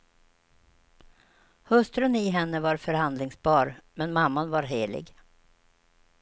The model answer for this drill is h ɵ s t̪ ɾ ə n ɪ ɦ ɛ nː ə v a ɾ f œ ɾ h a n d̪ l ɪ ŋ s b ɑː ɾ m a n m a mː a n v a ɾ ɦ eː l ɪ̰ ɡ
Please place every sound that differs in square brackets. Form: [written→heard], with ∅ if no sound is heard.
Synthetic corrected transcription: h ɵ s t̪ ɾ ə n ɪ ɦ ɛ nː ə v a ɾ f œ ɾ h a n d̪ l ɪ ŋ s b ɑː ɾ m [a→ɛ] n m a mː a n v a ɾ ɦ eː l ɪ̰ ɡ